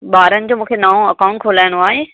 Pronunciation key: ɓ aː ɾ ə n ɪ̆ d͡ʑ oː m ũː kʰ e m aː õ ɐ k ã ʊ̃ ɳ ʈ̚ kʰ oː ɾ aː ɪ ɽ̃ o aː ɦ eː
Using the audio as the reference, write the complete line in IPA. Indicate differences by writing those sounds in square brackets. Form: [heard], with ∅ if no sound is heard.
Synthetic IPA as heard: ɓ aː ɾ ə n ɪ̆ d͡ʑ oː m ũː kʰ e [n] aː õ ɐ k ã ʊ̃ ɳ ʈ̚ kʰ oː [l] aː ɪ ɽ̃ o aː ɦ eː